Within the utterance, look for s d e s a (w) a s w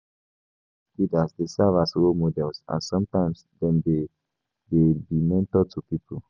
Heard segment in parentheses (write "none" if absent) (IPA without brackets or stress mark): v